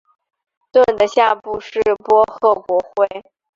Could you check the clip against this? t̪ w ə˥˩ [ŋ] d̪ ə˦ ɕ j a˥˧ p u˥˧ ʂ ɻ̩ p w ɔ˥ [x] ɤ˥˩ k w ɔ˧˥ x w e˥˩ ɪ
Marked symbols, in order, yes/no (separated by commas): no, yes